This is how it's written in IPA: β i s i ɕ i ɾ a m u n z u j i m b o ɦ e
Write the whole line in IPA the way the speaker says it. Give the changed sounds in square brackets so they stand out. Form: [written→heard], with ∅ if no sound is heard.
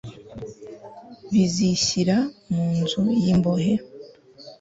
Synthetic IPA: β i [s→z] i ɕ i ɾ a m [u→uː] n z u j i m b o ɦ e